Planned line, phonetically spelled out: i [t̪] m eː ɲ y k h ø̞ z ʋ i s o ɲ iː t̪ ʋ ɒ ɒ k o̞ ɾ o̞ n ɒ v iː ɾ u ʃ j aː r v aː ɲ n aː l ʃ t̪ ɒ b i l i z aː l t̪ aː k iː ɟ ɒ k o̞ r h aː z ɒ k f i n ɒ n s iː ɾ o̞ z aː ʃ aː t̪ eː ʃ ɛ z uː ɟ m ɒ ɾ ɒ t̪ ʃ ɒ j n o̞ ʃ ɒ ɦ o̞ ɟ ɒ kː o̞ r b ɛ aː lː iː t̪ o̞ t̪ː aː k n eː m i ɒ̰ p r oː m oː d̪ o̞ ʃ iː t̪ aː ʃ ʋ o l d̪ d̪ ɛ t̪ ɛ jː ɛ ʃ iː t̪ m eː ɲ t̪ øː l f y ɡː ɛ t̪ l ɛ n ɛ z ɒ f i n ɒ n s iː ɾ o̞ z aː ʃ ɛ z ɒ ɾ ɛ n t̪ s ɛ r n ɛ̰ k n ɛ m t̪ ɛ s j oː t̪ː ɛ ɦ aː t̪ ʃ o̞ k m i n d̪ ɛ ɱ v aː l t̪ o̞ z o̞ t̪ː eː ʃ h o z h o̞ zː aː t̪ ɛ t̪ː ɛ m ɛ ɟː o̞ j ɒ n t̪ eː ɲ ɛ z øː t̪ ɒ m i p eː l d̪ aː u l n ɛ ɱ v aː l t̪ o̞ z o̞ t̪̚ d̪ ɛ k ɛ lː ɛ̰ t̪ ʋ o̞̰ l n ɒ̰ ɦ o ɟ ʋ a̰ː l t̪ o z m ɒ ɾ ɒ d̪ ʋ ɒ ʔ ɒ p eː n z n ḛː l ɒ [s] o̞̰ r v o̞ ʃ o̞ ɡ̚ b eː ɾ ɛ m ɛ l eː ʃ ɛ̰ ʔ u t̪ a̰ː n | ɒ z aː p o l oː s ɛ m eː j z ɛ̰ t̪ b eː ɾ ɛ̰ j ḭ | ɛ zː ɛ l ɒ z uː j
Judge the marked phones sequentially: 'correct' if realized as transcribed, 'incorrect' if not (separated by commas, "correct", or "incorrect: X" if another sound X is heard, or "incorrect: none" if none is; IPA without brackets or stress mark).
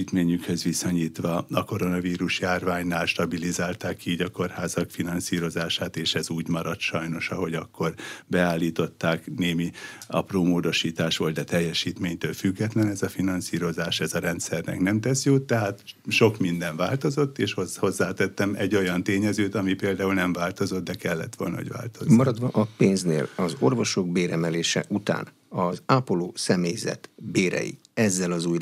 correct, incorrect: z